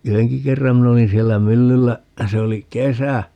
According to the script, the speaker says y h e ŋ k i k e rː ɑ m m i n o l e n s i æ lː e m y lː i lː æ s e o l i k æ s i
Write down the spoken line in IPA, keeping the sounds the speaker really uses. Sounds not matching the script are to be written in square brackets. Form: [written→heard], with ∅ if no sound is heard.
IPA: y h e ŋ k i k e rː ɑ m m i n o l [e→i] n s i [æ→e] lː [e→æ] m y lː [i→y] lː æ s e o l i k [æ→e] s [i→æ]

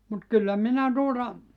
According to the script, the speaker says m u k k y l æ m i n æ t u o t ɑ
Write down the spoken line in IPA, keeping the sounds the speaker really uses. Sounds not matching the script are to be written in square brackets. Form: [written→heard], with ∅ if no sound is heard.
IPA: m u [k→t] k y [l→lː] æ m i n æ t u o t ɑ

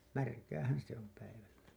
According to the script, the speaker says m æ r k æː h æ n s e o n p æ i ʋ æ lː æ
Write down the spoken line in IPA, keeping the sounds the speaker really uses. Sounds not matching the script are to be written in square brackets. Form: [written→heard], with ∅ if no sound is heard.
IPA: m æ r k æː h æ n s e o [n→m] p æ i ʋ æ lː æ

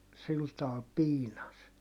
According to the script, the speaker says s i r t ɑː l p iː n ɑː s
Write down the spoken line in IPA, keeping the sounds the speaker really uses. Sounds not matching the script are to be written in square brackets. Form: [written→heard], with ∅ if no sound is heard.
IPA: s i [r→l] t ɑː l p iː n [ɑː→ɑ] s

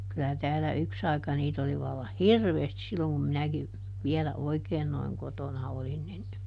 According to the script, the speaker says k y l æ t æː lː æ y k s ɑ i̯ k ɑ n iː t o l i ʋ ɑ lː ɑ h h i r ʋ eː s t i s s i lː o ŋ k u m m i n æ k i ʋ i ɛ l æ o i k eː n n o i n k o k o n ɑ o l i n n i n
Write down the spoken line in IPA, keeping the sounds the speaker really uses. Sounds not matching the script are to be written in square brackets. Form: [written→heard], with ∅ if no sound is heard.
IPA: k y l æ t æː lː æ y k s ɑ i̯ k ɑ n iː t o l i ʋ ɑ lː ɑ h h i r ʋ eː s t i s s i lː o ŋ k u m m i n æ k i ʋ i ɛ l æ o i k eː n n o i [n→ŋ] k o [k→t] o n ɑ o l i n n i n

